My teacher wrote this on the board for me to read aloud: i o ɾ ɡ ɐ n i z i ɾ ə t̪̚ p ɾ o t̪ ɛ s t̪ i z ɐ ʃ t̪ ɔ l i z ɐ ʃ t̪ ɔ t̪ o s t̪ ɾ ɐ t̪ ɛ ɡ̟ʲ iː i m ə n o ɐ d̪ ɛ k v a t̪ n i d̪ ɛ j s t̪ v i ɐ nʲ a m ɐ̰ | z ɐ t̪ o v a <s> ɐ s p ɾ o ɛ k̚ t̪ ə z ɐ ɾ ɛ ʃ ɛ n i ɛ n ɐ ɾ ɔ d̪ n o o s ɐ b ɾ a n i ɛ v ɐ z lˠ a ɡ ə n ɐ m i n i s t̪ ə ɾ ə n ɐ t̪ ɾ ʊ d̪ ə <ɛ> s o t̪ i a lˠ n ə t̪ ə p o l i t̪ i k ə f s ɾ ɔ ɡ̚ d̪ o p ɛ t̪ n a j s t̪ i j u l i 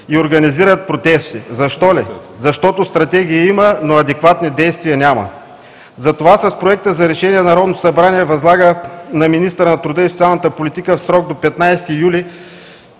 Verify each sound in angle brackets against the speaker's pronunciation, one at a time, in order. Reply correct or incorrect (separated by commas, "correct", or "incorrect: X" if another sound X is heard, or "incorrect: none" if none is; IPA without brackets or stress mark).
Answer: correct, incorrect: i